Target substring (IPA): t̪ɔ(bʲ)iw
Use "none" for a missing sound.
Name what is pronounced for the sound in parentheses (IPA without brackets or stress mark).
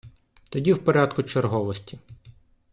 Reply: dʲ